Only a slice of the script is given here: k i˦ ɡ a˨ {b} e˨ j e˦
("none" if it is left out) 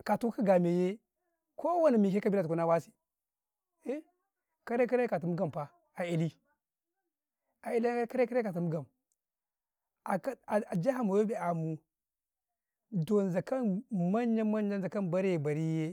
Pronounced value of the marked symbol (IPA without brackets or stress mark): m